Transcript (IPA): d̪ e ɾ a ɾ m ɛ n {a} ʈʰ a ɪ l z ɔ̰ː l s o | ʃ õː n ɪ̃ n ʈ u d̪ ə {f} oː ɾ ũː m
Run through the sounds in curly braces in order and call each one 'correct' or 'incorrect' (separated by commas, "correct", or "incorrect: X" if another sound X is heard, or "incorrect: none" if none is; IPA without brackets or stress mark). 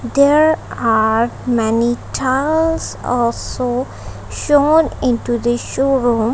incorrect: i, incorrect: ʃ